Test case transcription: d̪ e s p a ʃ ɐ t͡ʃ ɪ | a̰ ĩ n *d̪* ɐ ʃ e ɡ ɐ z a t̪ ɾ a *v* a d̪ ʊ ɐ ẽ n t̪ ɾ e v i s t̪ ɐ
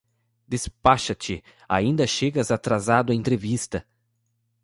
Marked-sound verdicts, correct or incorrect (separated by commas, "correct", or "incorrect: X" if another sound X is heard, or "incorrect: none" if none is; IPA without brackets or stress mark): correct, incorrect: z